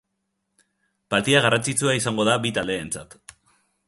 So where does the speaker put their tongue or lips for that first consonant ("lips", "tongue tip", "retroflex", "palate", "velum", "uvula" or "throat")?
lips